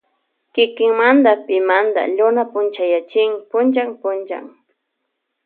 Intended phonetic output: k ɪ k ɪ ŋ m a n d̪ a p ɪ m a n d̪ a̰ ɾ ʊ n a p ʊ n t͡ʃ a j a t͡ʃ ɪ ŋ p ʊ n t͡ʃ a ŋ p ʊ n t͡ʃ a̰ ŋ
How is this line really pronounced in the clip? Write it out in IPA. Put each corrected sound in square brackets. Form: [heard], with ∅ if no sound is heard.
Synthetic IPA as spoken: k ɪ k ɪ ŋ m a n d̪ a p ɪ m a n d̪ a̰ [ʎ] ʊ n a p ʊ n t͡ʃ a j a t͡ʃ ɪ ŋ p ʊ n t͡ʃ a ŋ p ʊ n t͡ʃ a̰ ŋ